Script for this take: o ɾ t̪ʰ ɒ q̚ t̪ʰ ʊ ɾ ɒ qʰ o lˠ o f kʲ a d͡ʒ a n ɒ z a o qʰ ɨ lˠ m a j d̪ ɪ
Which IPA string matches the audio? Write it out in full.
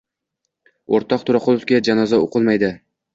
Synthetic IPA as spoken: o ɾ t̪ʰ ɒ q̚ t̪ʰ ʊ ɾ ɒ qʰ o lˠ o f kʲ a d͡ʒ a n ɒ z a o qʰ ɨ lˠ m a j d̪ ɪ